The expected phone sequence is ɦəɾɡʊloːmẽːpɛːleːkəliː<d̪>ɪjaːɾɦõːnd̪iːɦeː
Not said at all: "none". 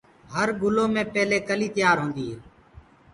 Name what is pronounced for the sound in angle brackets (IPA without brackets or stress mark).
t̪